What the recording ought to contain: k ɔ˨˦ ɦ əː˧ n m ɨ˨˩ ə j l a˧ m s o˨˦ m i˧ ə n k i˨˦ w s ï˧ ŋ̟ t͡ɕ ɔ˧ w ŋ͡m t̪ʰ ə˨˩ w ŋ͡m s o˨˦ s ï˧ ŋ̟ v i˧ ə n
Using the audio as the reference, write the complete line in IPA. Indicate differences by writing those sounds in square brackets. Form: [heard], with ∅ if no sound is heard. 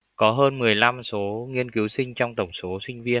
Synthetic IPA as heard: k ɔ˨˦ ɦ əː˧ n m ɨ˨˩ ə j l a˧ m s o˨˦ [ŋ] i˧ ə n k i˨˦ w s ï˧ ŋ̟ t͡ɕ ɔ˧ w ŋ͡m [t̪] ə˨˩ w ŋ͡m s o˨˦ s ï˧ ŋ̟ v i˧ ə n